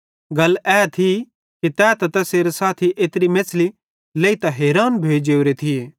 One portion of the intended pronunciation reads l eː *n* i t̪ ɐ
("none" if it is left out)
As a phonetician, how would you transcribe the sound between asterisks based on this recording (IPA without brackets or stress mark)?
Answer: none